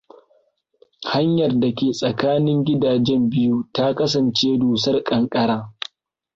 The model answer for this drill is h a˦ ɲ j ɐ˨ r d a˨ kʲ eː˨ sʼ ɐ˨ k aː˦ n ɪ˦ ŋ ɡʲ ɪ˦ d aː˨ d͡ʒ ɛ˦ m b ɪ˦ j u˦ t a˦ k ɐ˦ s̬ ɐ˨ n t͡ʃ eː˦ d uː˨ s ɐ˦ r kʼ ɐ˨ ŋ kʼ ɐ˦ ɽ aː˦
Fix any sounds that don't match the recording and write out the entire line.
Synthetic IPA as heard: h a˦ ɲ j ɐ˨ r d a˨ kʲ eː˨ sʼ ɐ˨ k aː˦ n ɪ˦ ŋ ɡʲ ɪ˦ d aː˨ d͡ʒ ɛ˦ m b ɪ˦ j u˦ t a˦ k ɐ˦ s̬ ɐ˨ n t͡ʃ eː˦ d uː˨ s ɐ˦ r kʼ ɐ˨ ŋ kʼ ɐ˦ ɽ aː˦